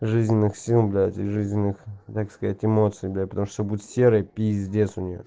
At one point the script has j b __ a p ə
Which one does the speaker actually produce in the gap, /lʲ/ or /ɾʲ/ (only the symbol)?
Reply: lʲ